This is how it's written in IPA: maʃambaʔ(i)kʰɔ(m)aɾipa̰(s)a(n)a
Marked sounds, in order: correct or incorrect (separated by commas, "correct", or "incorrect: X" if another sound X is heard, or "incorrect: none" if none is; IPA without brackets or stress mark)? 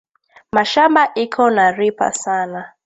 correct, incorrect: n, correct, correct